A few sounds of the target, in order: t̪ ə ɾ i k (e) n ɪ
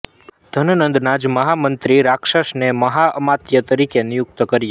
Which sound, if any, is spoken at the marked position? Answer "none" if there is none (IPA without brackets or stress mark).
e